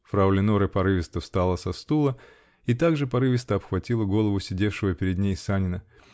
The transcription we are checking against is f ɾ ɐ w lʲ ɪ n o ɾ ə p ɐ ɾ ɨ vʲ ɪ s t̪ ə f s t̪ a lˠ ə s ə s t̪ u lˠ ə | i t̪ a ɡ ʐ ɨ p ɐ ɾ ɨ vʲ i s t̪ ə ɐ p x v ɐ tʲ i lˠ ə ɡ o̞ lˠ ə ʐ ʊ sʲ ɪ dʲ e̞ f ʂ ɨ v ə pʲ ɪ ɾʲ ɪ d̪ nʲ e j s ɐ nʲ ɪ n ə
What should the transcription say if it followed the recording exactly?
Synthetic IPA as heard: f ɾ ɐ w lʲ ɪ n o ɾ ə p ɐ ɾ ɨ vʲ ɪ s t̪ ə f s t̪ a lˠ ə s ɐ s t̪ u lˠ ə | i t̪ a ɡ ʐ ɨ p ɐ ɾ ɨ vʲ ɪ s t̪ ə ɐ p x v ɐ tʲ i lˠ ə ɡ o̞ lˠ ə v ʊ sʲ ɪ dʲ e̞ f ʂ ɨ v ə pʲ ɪ ɾʲ ɪ d̪ nʲ e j s a nʲ ɪ n ə